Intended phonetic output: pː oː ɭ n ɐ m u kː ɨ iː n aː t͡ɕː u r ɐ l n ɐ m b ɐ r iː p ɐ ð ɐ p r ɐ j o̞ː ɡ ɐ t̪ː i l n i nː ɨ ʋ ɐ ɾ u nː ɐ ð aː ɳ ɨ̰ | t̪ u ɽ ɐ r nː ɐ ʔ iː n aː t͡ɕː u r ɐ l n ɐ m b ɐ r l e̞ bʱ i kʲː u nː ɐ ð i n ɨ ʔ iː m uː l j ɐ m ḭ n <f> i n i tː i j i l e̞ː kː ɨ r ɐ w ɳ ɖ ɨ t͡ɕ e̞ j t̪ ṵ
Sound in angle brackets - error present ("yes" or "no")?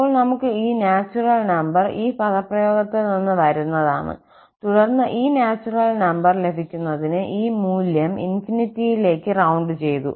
no